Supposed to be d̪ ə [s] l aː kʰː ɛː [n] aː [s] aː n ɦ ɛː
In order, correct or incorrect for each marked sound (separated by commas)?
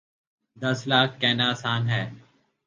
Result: correct, correct, correct